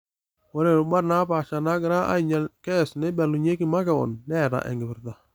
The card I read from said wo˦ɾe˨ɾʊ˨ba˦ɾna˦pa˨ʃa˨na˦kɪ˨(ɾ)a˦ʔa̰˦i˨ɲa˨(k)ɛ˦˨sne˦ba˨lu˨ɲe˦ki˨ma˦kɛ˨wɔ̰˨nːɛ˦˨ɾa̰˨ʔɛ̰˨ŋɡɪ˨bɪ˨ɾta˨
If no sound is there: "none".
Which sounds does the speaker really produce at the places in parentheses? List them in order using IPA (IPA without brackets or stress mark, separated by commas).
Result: ɾ, k